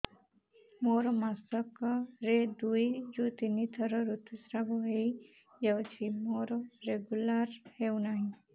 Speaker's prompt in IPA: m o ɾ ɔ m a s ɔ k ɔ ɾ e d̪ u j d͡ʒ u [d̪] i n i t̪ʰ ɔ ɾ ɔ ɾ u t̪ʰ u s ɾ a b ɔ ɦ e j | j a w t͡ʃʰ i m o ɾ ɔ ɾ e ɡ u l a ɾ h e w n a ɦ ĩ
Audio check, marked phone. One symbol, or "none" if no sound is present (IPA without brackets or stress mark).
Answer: t̪